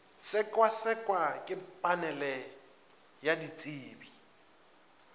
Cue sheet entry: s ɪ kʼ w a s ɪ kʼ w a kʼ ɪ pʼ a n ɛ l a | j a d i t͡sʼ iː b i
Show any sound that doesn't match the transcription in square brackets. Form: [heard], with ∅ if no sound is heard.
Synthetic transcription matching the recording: s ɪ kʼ w a s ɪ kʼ w a kʼ ɪ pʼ a n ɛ l [ɛ] | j a d i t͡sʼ iː b i